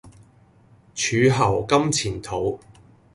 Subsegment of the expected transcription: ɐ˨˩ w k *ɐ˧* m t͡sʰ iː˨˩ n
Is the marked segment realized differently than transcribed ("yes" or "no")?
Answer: yes